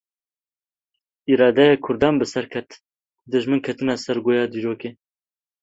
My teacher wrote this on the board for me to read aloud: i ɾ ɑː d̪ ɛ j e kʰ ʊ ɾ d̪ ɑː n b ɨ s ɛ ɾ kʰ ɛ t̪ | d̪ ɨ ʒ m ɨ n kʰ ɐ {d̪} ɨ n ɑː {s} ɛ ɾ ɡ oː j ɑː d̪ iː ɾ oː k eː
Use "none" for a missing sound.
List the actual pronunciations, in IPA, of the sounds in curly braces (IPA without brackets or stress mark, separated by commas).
t̪, s